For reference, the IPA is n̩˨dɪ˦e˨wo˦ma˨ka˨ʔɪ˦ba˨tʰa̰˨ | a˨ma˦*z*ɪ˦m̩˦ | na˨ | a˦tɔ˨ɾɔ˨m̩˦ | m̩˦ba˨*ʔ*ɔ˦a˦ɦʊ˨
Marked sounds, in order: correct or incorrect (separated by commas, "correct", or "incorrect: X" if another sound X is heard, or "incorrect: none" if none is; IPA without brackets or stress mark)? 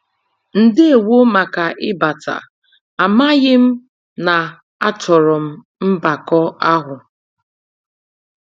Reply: incorrect: ɣ, incorrect: k